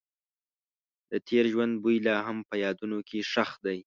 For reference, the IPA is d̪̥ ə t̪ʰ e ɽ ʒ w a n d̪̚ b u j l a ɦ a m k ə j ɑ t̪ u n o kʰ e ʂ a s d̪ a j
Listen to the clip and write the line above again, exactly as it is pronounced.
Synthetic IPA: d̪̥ ə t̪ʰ e ɾ ʒ w a n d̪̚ b u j l ɑ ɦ a m p ə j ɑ d̪ u n o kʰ e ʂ a x d̪ a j